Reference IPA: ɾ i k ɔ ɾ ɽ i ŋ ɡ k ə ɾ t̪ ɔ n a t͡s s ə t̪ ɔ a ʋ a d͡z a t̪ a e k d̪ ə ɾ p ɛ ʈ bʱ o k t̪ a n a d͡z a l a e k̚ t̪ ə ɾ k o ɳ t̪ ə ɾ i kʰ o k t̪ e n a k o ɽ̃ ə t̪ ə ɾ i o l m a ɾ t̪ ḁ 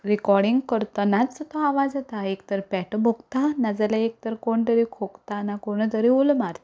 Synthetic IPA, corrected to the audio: ɾ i k ɔ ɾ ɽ i ŋ ɡ k ə ɾ t̪ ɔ n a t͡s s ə t̪ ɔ a ʋ a d͡z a t̪ a e k t̪ ə ɾ p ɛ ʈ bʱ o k t̪ a n a d͡z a l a e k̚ t̪ ə ɾ k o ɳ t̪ ə ɾ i kʰ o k t̪ a n a k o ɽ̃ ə t̪ ə ɾ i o l m a ɾ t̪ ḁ